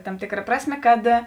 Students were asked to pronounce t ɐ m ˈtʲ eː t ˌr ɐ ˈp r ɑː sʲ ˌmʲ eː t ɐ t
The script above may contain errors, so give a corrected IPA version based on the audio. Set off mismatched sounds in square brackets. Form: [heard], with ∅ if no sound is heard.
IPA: t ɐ m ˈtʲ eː [k] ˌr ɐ ˈp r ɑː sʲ ˌmʲ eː [k] ɐ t